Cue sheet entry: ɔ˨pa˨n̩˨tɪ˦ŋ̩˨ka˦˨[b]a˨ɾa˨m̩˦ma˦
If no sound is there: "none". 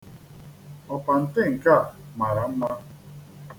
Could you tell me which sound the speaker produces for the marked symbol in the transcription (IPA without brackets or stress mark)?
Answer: m